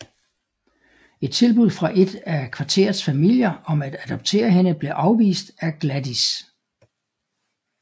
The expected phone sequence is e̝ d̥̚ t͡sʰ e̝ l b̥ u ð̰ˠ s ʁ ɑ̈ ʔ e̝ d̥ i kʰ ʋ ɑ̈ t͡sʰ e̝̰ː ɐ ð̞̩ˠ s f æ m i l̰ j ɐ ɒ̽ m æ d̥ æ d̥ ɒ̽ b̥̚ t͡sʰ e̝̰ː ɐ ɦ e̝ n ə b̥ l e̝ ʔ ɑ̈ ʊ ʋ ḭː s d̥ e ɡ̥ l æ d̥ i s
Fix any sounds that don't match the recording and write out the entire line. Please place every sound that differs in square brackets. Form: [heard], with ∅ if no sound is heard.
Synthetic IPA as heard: e̝ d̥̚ t͡sʰ e̝ l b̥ u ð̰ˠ [f] ʁ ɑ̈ ʔ e̝ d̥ [æ] kʰ ʋ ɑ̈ t͡sʰ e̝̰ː ɐ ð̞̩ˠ s f æ m i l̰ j ɐ ɒ̽ m æ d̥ æ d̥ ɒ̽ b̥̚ t͡sʰ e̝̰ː ɐ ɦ e̝ n ə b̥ l e̝ ʔ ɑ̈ ʊ ʋ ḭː s d̥ [æ] ɡ̥ l æ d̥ i s